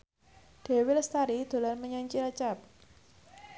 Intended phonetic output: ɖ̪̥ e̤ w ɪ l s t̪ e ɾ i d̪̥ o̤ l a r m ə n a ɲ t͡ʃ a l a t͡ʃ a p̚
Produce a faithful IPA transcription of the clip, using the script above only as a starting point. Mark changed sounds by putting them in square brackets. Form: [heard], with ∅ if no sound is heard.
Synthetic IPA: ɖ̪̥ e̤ w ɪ l s t̪ [a] ɾ i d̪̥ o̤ l a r m ə [ɲ] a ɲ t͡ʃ [i] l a t͡ʃ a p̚